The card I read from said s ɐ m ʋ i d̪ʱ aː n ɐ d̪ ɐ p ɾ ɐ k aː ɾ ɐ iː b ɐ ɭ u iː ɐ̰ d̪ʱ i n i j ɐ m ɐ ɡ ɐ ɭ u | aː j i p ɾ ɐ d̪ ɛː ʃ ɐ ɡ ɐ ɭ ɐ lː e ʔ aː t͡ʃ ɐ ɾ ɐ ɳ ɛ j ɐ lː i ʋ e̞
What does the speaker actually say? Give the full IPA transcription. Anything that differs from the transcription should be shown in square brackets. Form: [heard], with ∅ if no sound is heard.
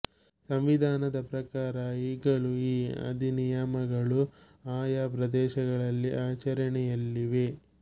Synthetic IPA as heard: s ɐ m ʋ i d̪ʱ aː n ɐ d̪ ɐ p ɾ ɐ k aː ɾ ɐ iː [ɡ] ɐ ɭ u iː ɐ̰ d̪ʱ i n i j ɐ m ɐ ɡ ɐ ɭ u | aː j [a] p ɾ ɐ d̪ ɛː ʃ ɐ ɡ ɐ ɭ ɐ lː [i] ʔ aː t͡ʃ ɐ ɾ ɐ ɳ ɛ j ɐ lː i ʋ e̞